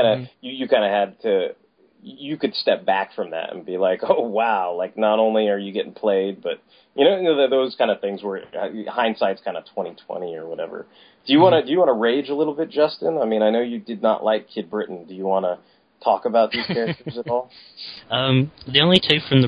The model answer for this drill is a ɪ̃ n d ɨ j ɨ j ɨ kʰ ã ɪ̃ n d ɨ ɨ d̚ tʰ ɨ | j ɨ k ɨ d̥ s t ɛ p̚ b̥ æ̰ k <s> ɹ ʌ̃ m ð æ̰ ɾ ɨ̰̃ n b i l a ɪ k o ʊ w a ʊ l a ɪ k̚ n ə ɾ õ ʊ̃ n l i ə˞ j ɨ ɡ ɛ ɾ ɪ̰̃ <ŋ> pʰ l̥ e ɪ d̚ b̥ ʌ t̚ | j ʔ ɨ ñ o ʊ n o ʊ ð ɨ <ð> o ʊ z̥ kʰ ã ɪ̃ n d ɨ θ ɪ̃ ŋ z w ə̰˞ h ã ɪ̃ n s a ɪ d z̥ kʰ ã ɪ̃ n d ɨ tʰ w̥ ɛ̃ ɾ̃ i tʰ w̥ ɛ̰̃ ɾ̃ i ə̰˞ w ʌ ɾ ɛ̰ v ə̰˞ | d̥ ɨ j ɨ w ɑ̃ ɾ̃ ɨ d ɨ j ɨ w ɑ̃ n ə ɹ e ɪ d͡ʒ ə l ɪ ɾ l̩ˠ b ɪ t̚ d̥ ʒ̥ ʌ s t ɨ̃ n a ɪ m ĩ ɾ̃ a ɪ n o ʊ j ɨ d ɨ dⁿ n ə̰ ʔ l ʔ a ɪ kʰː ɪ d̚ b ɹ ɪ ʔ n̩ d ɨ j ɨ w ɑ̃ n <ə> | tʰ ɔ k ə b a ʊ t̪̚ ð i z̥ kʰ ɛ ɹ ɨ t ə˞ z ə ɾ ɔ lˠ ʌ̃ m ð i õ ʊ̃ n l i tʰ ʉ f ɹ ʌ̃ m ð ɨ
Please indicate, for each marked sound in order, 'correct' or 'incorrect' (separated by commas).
incorrect, correct, correct, correct